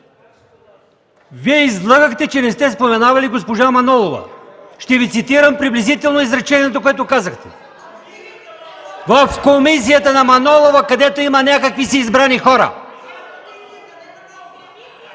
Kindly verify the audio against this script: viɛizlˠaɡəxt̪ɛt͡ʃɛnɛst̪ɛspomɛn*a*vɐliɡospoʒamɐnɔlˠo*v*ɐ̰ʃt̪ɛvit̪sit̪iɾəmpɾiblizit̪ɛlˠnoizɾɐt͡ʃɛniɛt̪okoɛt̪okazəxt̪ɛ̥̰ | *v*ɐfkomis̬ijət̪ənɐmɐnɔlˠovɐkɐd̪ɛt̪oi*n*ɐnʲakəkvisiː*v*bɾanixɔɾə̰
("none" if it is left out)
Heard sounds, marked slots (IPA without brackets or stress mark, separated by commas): a, v, v, m, z